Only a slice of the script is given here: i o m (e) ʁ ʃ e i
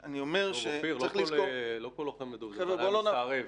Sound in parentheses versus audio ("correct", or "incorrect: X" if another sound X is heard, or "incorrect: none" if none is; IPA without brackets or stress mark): correct